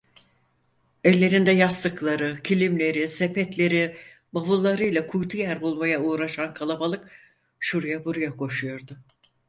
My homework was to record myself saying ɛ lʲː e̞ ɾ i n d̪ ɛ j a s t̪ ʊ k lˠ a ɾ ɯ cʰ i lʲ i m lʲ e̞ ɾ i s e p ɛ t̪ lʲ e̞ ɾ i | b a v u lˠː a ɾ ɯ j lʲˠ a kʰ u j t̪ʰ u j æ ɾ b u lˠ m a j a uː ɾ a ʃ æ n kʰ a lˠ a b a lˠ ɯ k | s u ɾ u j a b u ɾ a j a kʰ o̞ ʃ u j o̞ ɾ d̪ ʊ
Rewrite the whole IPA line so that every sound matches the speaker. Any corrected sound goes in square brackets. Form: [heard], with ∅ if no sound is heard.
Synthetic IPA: ɛ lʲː e̞ ɾ i n d̪ ɛ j a s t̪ [ɯ] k lˠ a ɾ ɯ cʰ i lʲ i m lʲ e̞ ɾ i s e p ɛ t̪ lʲ e̞ ɾ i | b a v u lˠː a ɾ ɯ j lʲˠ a kʰ u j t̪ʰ u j æ ɾ b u lˠ m a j a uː ɾ a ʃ [a] n kʰ a lˠ a b a lˠ ɯ k | [ʃ] u ɾ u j a b u ɾ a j a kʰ o̞ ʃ u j o̞ ɾ d̪ ʊ